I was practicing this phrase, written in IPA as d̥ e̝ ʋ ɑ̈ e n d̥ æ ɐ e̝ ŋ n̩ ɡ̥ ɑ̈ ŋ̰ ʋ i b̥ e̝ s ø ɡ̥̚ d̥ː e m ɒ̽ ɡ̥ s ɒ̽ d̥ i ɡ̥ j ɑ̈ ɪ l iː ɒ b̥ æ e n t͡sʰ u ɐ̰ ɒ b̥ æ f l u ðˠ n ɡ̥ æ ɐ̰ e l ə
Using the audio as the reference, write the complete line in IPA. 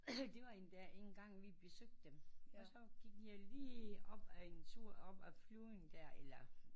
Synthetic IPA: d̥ e̝ ʋ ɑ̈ e n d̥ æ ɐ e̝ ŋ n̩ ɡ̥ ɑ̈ ŋ̰ ʋ i b̥ e̝ s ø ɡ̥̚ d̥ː e m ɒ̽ s ɒ̽ ɡ̥ i ɡ̥ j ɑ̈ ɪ l iː ɒ b̥ æ e n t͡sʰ u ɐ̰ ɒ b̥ æ f l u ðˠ n d̥ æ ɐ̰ e l ɐ

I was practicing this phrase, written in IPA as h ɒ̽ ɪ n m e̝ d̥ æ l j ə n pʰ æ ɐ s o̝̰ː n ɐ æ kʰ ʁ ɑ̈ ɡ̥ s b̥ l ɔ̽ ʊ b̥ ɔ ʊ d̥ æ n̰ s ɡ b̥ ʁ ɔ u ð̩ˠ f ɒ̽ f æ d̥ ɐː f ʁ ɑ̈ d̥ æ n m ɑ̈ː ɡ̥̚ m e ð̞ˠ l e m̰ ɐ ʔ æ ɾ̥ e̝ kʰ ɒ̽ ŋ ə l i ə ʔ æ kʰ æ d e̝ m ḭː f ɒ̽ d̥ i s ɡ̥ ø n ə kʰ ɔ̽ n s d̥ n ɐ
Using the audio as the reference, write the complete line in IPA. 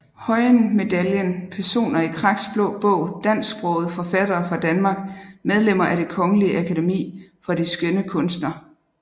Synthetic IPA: h ɒ̽ ɪ n m e̝ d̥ æ l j ə n pʰ æ ɐ s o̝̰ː n ɐ i kʰ ʁ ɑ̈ ɡ̥ s b̥ l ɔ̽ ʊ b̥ ɔ ʊ d̥ æ n̰ s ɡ b̥ ʁ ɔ ʊ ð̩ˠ f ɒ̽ f æ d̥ ɐː f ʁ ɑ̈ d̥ æ n m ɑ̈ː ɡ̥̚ m e ð̞ˠ l e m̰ ɐ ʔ æ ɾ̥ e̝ kʰ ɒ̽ ŋ ə l i ə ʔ æ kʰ æ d e̝ m ḭː f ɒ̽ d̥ i s ɡ̥ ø n ə kʰ ɔ̽ n s d̥ n ɐ

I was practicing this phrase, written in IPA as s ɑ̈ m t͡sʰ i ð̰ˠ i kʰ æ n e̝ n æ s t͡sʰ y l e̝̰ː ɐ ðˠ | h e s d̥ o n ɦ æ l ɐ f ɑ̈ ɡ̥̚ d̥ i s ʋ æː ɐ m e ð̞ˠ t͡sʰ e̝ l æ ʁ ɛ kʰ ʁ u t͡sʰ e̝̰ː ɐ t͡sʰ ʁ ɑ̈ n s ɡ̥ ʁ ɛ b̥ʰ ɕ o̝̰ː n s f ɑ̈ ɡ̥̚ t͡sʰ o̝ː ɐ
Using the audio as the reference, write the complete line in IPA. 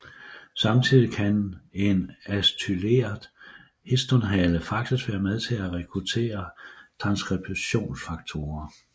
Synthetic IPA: s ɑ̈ m t͡sʰ i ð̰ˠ i kʰ æ n e̝ n æ s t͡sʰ y l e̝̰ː ɐ ðˠ | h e s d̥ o n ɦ æ l ə f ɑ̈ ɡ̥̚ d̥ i s ʋ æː ɐ m e ð̞ˠ t͡sʰ e̝ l æ ʁ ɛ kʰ ʁ u t͡sʰ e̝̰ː ɐ t͡sʰ ʁ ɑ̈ n s ɡ̥ ʁ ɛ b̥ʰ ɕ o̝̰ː n s f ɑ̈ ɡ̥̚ t͡sʰ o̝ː ɐ

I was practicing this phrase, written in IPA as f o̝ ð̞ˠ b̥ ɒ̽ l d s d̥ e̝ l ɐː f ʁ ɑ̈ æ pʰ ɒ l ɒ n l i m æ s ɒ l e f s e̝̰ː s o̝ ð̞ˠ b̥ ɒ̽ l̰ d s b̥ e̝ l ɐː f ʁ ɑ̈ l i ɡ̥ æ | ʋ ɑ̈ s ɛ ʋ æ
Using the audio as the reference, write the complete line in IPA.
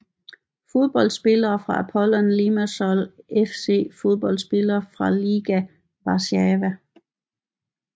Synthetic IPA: f o̝ ð̞ˠ b̥ ɒ̽ l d s b̥ e̝ l ɐː f ʁ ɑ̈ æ pʰ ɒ l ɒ n l i m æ s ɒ l e f s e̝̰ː f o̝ ð̞ˠ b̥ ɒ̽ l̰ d s b̥ e̝ l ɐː f ʁ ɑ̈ l i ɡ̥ æ | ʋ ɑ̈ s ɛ ʋ æ

